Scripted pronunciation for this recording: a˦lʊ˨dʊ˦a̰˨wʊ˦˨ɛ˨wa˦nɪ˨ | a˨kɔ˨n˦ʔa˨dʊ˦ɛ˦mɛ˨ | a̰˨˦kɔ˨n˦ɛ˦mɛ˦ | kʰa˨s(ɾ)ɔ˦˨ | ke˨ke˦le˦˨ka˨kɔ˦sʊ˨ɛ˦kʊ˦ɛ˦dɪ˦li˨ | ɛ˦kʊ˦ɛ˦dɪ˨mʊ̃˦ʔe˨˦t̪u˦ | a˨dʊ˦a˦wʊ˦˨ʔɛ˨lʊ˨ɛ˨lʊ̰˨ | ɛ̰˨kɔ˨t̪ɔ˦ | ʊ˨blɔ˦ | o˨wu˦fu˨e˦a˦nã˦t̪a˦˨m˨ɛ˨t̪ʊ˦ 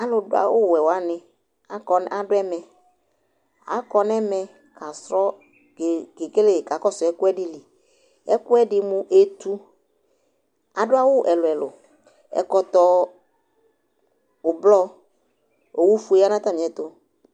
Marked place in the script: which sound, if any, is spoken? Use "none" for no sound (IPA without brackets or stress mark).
ɾ